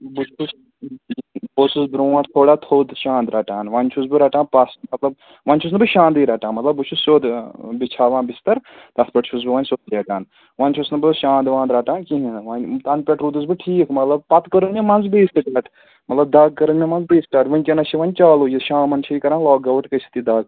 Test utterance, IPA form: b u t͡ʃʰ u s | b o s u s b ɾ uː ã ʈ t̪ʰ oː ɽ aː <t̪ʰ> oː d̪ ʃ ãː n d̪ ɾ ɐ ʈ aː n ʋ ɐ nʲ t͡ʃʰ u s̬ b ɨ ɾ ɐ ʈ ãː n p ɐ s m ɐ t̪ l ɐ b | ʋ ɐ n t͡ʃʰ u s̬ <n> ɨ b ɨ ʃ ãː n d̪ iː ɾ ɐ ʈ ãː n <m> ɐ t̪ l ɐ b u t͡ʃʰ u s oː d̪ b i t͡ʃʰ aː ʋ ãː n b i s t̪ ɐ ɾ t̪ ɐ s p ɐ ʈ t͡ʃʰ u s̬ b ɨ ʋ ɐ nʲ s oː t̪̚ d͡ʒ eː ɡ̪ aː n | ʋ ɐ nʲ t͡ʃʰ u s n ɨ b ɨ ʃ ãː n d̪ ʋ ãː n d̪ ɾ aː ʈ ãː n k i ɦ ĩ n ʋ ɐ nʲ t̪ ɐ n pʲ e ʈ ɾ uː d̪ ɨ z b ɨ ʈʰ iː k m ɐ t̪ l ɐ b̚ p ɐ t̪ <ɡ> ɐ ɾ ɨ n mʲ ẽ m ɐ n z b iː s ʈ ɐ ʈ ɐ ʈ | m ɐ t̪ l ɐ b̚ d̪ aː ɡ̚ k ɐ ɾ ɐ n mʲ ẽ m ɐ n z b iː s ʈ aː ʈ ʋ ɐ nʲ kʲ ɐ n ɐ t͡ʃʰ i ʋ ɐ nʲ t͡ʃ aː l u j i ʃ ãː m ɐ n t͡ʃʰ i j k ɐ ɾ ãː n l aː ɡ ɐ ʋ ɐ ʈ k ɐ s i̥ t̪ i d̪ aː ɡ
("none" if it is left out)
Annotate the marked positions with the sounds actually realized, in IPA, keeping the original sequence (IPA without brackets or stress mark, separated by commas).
t̪ʰ, n, m, k